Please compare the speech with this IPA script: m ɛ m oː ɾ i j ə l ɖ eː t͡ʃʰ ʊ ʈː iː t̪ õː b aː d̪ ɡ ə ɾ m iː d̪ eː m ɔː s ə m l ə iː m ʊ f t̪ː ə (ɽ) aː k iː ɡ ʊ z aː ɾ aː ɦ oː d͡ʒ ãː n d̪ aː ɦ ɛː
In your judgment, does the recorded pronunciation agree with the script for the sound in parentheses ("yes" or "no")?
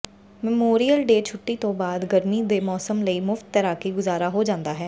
no